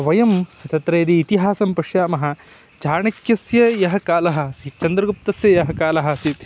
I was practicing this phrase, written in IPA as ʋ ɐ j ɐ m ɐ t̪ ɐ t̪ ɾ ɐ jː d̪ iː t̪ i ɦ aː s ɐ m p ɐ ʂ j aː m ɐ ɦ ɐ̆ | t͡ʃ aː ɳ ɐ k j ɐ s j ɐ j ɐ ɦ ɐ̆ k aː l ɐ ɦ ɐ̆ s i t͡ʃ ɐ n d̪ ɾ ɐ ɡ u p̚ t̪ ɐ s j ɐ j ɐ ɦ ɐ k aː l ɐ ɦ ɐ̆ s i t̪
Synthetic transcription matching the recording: ʋ ɐ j ɐ m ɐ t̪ ɐ t̪ ɾ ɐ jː d̪ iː t̪ i ɦ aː s ɐ m p ɐ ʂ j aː m ɐ ɦ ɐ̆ | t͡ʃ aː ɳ ɐ k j ɐ s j ɐ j ɐ ɦ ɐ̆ k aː l ɐ ɦ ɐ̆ s i t͡ʃ ɐ n d̪ ɾ ɐ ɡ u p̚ t̪ ɐ s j ɐ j ɐ ɦ ɐ k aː l ɐ ɦ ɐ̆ s i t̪